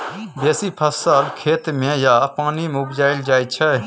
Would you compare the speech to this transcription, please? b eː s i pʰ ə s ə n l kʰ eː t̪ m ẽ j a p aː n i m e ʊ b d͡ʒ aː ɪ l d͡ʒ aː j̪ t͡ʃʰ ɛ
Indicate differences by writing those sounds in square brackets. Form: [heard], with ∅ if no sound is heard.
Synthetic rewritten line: b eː s i pʰ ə s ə [∅] l kʰ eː t̪ m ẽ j a p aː n i m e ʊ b d͡ʒ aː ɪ l d͡ʒ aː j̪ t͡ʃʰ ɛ